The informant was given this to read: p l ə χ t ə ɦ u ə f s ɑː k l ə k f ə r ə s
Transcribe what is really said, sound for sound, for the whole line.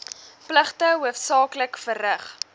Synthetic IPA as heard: p l ə χ t ə ɦ u ə f s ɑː k l ə k f ə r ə χ